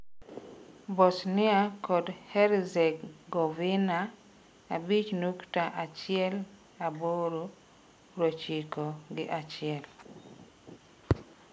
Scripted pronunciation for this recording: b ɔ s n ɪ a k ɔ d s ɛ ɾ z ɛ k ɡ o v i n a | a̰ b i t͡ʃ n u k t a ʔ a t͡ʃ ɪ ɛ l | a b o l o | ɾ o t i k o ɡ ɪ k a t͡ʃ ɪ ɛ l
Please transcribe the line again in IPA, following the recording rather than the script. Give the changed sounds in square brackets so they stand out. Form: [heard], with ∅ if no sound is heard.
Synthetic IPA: b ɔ s n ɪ a k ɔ d [h] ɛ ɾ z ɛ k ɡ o v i n a | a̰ b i t͡ʃ n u k t a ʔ a t͡ʃ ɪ ɛ l | a b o [ɾ] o | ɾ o [t͡ʃ] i k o ɡ ɪ [ʔ] a t͡ʃ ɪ ɛ l